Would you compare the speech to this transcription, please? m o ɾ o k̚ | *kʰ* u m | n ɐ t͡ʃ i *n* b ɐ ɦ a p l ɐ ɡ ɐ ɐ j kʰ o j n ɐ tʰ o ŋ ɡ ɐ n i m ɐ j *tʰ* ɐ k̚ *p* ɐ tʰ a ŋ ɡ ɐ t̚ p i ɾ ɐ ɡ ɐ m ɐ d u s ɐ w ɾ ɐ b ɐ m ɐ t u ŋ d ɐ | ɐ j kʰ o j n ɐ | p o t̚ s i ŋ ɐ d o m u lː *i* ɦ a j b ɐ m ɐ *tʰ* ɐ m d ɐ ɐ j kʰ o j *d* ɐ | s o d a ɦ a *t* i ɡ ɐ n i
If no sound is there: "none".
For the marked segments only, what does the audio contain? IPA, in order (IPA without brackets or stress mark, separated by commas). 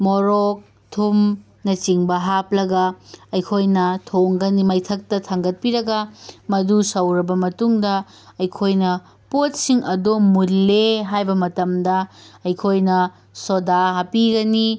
tʰ, ŋ, tʰ, t, e, t, n, p